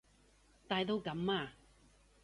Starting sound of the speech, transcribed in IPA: t̪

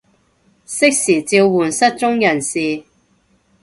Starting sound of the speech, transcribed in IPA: s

